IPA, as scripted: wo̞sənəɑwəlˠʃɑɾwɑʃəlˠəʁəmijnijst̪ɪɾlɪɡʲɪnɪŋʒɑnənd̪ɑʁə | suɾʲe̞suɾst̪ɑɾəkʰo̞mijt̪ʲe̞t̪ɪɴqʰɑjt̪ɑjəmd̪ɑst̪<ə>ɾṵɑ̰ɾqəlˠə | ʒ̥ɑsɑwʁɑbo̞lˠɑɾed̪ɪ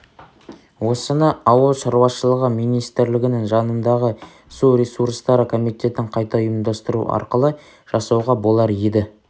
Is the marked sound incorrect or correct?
correct